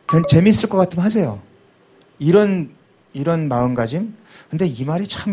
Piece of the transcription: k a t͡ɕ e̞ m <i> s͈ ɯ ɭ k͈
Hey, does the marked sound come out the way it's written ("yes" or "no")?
yes